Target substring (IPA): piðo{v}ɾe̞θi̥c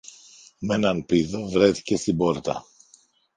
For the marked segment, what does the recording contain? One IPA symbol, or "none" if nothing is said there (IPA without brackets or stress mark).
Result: v